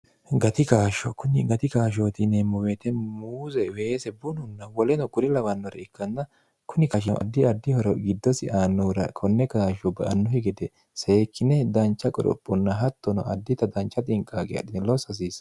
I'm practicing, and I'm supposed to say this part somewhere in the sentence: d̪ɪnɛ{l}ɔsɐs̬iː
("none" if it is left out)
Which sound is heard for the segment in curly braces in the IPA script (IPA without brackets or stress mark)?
l